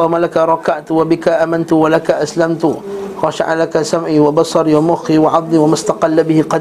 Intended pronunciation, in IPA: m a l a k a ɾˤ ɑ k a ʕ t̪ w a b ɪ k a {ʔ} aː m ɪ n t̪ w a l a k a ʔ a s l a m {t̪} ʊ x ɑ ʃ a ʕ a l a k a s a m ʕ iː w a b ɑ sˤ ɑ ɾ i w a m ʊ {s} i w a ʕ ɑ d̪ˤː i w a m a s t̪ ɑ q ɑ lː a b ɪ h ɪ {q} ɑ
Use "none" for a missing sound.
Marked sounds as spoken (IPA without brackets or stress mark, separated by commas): ʔ, t̪, x, q